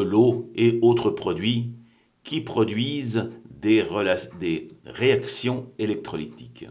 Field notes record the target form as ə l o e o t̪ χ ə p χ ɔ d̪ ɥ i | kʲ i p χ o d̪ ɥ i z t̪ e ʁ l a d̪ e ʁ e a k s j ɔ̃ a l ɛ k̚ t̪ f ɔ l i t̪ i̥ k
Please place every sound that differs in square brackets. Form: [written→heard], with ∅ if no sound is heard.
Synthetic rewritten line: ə l o e o t̪ χ ə p χ ɔ d̪ ɥ i | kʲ i p χ [o→ɔ] d̪ ɥ i z [t̪→d̪] e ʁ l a d̪ e ʁ e a k s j ɔ̃ [a→e] l ɛ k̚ t̪ [f→χ] ɔ l i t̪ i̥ k